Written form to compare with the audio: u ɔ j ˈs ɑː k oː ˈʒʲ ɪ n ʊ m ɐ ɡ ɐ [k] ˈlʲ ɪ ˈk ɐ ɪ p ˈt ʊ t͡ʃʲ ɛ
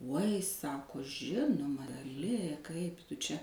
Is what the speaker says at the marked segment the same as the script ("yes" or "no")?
no